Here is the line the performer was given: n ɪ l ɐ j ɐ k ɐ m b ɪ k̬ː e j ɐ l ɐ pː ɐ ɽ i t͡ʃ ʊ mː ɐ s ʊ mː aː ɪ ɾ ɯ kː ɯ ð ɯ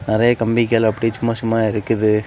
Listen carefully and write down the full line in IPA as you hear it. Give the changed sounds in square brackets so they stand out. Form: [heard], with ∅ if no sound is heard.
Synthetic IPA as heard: n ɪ [ɾ] ɐ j ɐ k ɐ m b ɪ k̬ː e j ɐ l ɐ pː ɐ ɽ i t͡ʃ ʊ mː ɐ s ʊ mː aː ɪ ɾ ɯ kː ɯ ð ɯ